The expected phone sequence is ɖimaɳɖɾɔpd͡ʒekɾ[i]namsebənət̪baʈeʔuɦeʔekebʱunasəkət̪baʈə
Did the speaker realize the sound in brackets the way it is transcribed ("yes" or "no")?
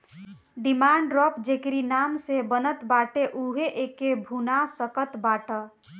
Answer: yes